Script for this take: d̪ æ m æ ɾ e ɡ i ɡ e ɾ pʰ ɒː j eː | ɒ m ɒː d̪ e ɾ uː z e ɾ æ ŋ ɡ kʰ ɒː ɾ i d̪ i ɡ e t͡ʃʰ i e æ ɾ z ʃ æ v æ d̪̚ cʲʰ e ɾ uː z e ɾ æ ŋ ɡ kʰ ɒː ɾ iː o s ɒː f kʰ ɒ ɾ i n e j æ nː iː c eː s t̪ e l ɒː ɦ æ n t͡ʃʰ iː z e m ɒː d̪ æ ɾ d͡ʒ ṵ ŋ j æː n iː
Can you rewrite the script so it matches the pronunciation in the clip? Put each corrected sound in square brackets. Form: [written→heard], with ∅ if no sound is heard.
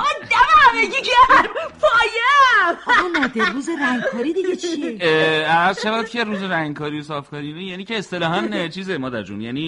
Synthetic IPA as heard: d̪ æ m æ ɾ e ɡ i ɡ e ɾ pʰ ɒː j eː | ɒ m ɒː d̪ e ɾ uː z e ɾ æ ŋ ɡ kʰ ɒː ɾ i d̪ i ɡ e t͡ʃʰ i e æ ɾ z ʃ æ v æ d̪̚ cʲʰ e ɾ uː z e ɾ æ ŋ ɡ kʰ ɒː ɾ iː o s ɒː f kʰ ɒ ɾ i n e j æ [nː→n] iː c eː s t̪ e l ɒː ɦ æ n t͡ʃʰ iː z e m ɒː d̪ æ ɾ d͡ʒ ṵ [ŋ→n] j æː n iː